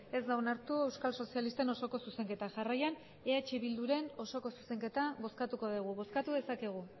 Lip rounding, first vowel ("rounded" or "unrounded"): unrounded